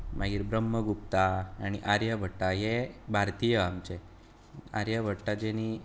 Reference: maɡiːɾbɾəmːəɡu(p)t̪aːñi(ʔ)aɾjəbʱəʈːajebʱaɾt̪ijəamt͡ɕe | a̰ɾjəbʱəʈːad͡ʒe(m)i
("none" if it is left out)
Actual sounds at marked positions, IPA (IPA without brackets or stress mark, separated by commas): p, ʔ, n